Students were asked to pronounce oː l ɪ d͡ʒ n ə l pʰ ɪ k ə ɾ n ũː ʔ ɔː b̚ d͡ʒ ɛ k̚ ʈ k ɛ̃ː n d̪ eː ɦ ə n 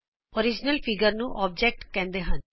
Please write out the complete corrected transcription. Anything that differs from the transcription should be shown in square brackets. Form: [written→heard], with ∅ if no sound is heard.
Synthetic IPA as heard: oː [l→ɾ] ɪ d͡ʒ n ə l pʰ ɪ [k→ɡ] ə ɾ n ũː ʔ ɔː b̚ d͡ʒ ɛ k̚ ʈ k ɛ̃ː n d̪ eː ɦ ə n